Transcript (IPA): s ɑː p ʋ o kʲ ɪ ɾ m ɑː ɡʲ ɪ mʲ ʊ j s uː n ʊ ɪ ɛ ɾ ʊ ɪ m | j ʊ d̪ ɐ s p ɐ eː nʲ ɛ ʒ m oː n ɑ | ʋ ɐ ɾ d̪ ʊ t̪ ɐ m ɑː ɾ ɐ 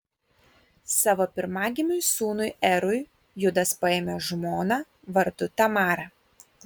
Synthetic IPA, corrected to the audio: s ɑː ʋ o pʲ ɪ ɾ m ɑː ɡʲ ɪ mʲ ʊ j s uː n ʊ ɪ ɛ ɾ ʊ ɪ | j ʊ d̪ ɐ s p ɐ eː mʲ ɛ ʒ m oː n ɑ | ʋ ɐ ɾ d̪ ʊ t̪ ɐ m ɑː ɾ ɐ